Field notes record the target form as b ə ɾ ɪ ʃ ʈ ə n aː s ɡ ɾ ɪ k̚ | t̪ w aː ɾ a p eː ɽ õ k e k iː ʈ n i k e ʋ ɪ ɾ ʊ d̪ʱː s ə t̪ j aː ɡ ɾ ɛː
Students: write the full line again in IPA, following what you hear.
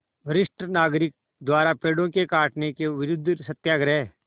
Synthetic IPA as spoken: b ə ɾ ɪ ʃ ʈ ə n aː ɡ ɾ ɪ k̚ | d̪ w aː ɾ a p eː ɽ õ k e k aː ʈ n e k e ʋ ɪ ɾ ʊ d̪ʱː s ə t̪ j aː ɡ ɾ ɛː

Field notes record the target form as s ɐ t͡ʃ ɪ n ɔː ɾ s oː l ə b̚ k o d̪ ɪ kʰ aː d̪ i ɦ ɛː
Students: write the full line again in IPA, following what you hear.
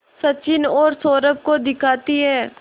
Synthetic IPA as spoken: s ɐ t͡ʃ ɪ n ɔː ɾ s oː ɾ ə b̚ k o d̪ ɪ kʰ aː t̪ i ɦ ɛː

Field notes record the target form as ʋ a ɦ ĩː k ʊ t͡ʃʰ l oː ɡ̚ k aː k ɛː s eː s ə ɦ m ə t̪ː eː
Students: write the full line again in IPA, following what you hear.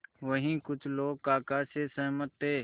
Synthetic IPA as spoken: ʋ ə ɦ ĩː k ʊ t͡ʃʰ l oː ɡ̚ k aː k aː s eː s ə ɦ m ə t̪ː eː

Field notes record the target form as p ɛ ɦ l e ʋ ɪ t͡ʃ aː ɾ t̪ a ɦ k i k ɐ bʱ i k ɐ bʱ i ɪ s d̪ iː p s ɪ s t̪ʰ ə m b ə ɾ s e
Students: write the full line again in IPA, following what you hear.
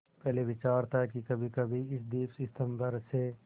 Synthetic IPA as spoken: p ɛ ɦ l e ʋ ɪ t͡ʃ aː ɾ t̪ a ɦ k i k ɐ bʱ i k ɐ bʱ i ɪ s d̪ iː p s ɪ s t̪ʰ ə m b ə ɾ s e

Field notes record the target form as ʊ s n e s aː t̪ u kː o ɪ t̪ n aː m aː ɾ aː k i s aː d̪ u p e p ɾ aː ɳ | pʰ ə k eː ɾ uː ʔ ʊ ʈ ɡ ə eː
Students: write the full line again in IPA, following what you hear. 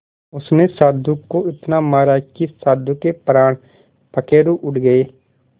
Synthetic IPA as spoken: ʊ s n e s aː d̪ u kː o ɪ t̪ n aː m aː ɾ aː k i s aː d̪ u k e p ɾ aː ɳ | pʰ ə k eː ɾ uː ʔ ʊ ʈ ɡ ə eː

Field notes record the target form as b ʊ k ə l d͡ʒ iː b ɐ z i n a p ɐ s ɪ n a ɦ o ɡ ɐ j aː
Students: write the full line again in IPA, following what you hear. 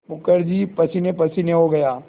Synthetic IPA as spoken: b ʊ k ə ɾ d͡ʒ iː p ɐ s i n e p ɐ s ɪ n e ɦ o ɡ ɐ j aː

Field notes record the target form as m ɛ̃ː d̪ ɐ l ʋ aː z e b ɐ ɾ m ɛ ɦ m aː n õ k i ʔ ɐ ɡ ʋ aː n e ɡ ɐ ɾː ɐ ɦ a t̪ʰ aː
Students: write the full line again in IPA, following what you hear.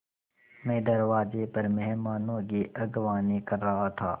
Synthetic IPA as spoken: m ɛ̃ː d̪ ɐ ɾ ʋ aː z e p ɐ ɾ m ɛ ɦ m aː n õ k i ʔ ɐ ɡ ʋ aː n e k ɐ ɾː ɐ ɦ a t̪ʰ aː

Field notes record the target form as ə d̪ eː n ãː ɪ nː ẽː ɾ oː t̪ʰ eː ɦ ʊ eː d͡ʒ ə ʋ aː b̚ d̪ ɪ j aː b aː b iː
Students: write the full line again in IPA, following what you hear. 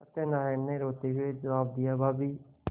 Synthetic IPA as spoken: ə t̪ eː n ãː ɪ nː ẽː ɾ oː t̪ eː ɦ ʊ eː d͡ʒ ə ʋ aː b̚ d̪ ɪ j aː b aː b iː

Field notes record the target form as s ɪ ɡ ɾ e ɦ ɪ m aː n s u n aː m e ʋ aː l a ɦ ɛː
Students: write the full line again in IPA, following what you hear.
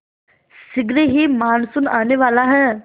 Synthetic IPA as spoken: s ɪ ɡ ɾ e ɦ i m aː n s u n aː n e ʋ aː l a ɦ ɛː

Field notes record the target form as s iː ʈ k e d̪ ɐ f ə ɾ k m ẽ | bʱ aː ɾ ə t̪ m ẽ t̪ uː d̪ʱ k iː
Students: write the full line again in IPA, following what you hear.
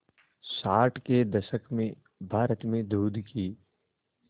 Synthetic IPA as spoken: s aː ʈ k e d̪ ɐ ʃ ə k m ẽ | bʱ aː ɾ ə t̪ m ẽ d̪ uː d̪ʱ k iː

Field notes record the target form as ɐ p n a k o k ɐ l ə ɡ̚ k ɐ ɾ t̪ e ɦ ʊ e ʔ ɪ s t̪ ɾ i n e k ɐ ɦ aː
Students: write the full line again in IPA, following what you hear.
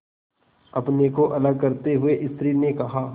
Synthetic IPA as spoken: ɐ p n e k o ʔ ɐ l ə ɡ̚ k ɐ ɾ t̪ e ɦ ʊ e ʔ ɪ s t̪ ɾ i n e k ɐ ɦ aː

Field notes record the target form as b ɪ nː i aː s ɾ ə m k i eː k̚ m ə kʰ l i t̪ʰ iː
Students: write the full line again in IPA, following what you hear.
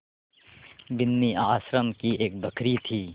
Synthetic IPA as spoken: b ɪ nː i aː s ɾ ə m k i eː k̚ b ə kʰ ɾ i t̪ʰ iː

